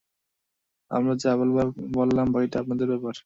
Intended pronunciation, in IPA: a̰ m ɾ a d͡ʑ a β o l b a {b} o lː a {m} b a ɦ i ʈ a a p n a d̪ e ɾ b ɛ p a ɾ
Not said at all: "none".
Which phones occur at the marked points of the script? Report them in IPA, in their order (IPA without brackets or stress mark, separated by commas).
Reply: b, m